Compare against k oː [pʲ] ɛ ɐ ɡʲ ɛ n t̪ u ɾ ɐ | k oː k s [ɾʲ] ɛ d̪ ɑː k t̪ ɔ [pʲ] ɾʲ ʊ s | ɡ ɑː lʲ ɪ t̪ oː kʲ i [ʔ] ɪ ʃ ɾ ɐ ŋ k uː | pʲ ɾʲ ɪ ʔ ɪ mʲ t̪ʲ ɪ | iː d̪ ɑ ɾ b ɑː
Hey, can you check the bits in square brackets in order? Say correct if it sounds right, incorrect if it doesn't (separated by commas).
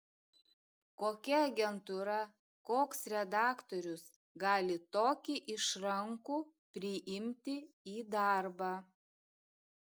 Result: incorrect, correct, incorrect, correct